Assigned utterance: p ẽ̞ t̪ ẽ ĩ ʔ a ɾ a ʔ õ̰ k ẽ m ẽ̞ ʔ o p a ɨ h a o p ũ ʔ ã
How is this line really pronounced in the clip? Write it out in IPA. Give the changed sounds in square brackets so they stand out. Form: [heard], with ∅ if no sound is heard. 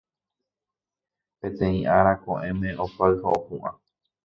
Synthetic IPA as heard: p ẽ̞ t̪ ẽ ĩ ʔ a ɾ a [k] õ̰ [ʔ] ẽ m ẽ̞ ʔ o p a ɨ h a o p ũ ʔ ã